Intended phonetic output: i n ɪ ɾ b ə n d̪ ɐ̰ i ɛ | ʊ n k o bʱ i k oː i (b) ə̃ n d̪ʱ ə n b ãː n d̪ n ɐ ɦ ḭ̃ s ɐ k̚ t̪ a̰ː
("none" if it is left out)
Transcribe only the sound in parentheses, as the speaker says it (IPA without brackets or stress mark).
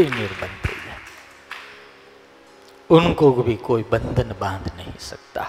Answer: b